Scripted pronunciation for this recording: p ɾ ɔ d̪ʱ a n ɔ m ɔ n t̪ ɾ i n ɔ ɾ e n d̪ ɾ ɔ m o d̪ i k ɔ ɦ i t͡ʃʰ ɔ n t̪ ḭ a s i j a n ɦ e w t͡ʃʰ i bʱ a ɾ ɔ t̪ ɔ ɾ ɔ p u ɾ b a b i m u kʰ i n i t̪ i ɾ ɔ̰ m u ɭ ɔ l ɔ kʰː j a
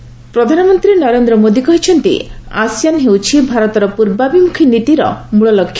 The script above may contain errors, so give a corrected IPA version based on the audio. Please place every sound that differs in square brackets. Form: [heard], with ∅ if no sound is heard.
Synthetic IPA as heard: p ɾ ɔ d̪ʱ a n ɔ m ɔ n t̪ ɾ i n ɔ ɾ e n d̪ ɾ ɔ m o d̪ i k ɔ ɦ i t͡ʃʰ ɔ n t̪ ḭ a s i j a n ɦ e w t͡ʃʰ i bʱ a ɾ ɔ t̪ ɔ ɾ ɔ p u ɾ b a b i m u kʰ i n i t̪ i ɾ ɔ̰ m u ɭ ɔ l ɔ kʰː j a

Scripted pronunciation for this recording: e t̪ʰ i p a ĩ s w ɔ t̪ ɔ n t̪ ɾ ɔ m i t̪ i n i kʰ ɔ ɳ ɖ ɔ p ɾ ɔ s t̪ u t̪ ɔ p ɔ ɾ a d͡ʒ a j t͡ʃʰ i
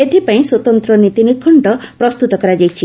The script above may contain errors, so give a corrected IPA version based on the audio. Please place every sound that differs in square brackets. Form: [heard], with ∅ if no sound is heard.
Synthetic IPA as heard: e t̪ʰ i p a ĩ s w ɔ t̪ ɔ n t̪ ɾ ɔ [n] i t̪ i n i kʰ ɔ ɳ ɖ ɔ p ɾ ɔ s t̪ u t̪ ɔ [k] ɔ ɾ a d͡ʒ a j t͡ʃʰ i

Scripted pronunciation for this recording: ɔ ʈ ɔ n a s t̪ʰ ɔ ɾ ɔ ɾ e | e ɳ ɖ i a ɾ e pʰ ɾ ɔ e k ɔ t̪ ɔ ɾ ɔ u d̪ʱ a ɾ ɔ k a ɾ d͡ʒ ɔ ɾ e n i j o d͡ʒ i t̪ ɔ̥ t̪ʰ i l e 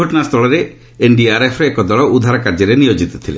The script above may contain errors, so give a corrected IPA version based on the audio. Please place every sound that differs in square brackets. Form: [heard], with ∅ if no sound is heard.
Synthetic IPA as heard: ɔ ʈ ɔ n a s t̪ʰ ɔ [ɭ] ɔ ɾ e | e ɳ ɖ i a ɾ e pʰ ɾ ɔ e k ɔ [d̪] ɔ [ɭ] ɔ u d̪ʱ a ɾ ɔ k a ɾ d͡ʒ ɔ ɾ e n i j o d͡ʒ i t̪ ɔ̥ t̪ʰ i l e

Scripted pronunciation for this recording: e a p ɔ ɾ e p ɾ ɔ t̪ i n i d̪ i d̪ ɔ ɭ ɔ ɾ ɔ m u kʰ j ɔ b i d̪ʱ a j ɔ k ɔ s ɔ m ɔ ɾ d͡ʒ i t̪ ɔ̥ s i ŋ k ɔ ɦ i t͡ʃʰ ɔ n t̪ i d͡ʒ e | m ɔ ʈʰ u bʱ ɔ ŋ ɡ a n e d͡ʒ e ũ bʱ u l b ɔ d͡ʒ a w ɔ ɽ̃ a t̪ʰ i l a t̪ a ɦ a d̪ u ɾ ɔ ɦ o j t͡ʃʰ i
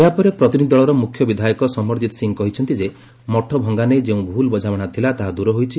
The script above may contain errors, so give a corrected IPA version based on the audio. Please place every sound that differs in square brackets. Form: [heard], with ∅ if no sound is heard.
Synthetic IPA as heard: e a p ɔ ɾ e p ɾ ɔ t̪ i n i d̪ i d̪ ɔ ɭ ɔ ɾ ɔ m u kʰ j ɔ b i d̪ʱ a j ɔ k ɔ s ɔ m ɔ ɾ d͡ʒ i t̪ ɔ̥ s i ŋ k ɔ ɦ i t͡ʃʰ ɔ n t̪ i d͡ʒ e | m ɔ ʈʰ [ɔ] bʱ ɔ ŋ ɡ a n e d͡ʒ e ũ bʱ u l b ɔ d͡ʒ a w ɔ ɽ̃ a t̪ʰ i l a t̪ a ɦ a d̪ u ɾ ɔ ɦ o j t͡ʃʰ i

